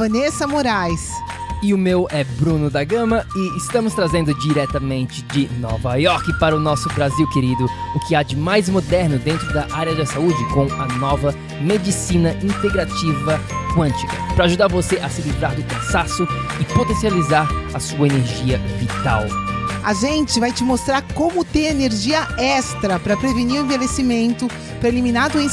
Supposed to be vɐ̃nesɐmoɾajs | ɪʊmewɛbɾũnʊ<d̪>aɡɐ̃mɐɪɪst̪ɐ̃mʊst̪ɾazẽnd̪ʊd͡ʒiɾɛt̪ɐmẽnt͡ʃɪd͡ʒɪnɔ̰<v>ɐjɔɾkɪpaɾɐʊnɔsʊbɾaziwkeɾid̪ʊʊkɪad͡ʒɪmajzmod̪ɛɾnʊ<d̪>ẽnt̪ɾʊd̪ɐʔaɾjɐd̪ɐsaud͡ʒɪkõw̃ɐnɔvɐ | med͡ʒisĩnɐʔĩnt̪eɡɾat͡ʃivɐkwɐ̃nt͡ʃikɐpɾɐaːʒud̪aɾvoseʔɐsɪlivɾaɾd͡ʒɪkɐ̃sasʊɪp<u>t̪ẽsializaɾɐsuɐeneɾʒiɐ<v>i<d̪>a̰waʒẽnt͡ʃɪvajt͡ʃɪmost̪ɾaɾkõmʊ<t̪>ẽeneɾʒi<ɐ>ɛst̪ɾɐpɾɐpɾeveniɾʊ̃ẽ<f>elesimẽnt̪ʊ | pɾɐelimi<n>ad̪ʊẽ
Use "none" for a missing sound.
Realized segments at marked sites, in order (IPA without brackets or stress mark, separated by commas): d̪, v, d̪, o, v, t̪, t̪, ɐ, v, n